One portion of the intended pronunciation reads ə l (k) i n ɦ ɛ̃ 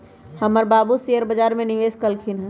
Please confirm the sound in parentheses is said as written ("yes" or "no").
no